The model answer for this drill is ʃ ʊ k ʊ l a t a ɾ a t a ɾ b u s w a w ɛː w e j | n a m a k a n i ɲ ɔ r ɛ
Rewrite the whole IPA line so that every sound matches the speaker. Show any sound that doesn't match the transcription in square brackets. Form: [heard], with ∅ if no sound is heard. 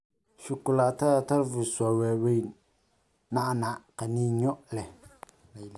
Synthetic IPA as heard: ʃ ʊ k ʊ l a t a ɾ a t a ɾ [v] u s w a w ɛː w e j | n a [n] a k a n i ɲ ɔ [l] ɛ